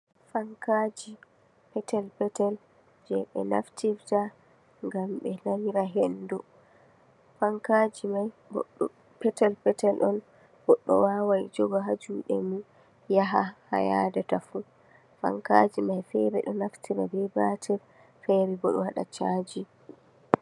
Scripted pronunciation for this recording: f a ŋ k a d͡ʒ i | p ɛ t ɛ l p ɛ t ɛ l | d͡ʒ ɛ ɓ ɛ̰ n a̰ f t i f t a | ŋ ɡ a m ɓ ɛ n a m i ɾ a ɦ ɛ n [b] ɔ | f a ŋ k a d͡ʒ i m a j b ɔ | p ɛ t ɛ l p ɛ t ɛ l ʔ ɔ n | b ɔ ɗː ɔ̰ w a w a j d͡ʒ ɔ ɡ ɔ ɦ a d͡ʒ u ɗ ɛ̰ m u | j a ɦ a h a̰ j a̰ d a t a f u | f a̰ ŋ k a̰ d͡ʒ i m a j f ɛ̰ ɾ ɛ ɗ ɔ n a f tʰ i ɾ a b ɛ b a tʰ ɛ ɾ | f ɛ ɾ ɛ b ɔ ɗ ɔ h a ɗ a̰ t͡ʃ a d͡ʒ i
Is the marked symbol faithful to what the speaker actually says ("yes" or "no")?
no